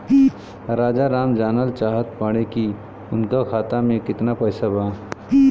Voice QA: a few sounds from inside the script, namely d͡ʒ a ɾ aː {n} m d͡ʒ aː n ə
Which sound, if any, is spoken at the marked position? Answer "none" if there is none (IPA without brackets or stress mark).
none